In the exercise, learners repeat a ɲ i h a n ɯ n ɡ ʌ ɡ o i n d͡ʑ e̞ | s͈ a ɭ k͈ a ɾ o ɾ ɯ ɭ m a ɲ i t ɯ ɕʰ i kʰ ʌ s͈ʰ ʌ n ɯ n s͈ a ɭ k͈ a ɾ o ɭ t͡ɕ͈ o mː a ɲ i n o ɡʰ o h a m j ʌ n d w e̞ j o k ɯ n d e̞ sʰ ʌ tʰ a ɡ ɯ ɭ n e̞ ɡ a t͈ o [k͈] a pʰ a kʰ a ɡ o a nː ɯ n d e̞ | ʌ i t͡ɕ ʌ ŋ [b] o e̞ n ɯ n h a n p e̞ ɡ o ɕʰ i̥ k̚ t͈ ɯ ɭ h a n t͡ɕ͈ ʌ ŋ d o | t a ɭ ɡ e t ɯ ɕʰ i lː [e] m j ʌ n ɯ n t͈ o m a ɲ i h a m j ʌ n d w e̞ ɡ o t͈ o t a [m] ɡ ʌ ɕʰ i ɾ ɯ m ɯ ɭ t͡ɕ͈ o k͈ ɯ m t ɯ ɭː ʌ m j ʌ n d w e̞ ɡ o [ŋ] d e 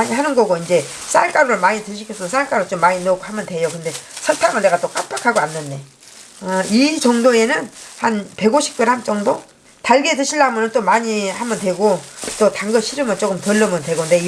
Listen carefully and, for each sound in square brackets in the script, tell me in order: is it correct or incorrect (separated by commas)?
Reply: correct, incorrect, incorrect, incorrect, incorrect